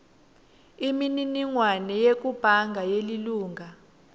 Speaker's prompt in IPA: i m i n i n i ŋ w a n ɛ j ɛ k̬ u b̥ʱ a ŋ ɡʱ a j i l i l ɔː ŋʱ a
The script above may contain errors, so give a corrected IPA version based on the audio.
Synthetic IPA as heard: i m i n i n i ŋ w a n ɛ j e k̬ u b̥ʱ a ŋ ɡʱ a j e l i l uː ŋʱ a